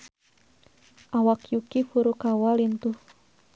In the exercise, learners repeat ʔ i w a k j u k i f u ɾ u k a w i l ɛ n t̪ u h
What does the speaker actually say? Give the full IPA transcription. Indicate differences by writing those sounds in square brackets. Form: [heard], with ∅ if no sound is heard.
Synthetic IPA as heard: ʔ [a] w a k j u k i f u ɾ u k a w [a] l [i] n t̪ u h